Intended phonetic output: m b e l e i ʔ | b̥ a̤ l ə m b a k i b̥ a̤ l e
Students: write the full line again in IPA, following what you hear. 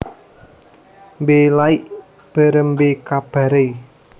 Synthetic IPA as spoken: m b e l a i ʔ | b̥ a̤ ɾ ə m b e k a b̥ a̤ ɾ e